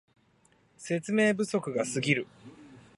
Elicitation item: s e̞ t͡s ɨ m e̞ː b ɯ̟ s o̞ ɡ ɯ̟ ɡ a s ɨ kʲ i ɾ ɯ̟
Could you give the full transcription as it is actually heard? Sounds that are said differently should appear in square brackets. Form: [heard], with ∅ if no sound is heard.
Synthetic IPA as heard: s e̞ t͡s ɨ m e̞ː b ɯ̟ s o̞ [k] ɯ̟ ɡ a s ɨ [ɡʲ] i ɾ ɯ̟